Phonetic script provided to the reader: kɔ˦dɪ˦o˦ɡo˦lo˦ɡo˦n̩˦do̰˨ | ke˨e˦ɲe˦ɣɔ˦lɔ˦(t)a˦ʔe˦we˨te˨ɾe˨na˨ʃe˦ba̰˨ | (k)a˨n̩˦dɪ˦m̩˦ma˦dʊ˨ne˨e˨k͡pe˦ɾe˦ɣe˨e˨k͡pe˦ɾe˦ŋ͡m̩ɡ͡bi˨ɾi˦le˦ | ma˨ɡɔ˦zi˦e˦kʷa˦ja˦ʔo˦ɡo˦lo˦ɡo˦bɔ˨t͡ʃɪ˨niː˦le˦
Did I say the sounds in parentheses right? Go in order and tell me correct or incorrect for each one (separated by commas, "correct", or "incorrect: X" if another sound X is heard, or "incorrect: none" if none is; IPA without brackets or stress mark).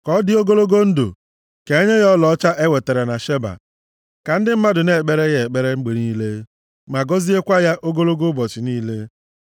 incorrect: t͡ʃ, correct